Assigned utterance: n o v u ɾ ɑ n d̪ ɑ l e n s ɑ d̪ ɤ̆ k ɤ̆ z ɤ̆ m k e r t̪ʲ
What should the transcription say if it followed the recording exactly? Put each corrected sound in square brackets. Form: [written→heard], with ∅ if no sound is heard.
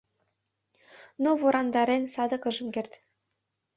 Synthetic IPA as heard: n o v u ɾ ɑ n d̪ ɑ [l→ɾ] e n s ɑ d̪ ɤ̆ k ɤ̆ [z→ʒ] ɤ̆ m k e r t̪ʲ